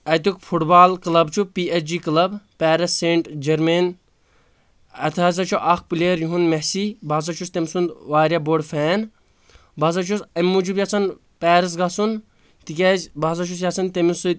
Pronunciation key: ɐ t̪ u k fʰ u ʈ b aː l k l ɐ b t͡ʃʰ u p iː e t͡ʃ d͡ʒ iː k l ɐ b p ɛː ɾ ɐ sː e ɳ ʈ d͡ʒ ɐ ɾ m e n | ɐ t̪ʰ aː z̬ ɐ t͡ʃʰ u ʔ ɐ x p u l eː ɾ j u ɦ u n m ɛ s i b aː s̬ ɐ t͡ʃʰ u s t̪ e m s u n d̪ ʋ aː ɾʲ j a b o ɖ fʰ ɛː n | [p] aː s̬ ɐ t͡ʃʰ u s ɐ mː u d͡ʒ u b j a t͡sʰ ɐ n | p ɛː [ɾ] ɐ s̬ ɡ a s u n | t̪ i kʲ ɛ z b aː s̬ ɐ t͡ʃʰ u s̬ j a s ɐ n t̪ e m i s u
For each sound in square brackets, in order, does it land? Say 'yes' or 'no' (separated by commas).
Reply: no, yes